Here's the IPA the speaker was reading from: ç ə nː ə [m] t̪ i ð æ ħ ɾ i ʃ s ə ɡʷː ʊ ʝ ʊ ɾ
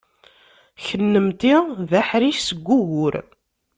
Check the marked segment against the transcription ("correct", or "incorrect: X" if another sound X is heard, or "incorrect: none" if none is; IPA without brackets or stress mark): correct